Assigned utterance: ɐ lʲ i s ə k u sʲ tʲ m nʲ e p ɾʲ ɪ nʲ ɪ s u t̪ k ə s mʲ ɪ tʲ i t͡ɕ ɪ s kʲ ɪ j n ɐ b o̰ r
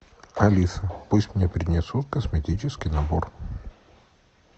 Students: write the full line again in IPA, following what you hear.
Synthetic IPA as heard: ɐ lʲ i s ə p u sʲ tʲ m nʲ e p ɾʲ ɪ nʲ ɪ s u t̪ k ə s mʲ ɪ tʲ i t͡ɕ ɪ s kʲ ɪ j n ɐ b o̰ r